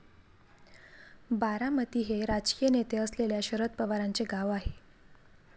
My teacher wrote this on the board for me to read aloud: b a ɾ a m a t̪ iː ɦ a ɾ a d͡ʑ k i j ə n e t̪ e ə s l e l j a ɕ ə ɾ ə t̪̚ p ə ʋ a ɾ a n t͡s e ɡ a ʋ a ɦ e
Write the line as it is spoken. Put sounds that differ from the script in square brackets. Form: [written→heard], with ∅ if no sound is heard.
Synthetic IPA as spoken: b a ɾ a m [a→ə] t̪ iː ɦ [a→e] ɾ a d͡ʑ k i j ə n e t̪ e ə s l e l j a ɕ ə ɾ ə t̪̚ p ə ʋ a ɾ a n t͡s e ɡ a ʋ a ɦ e